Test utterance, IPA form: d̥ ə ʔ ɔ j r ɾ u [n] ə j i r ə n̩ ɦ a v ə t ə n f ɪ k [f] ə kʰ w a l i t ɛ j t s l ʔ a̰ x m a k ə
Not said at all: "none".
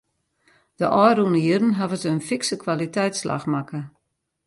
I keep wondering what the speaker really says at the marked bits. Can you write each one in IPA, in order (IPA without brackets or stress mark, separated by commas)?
n, s